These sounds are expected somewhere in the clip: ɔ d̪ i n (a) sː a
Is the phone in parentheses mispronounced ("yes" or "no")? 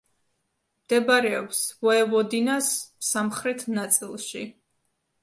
no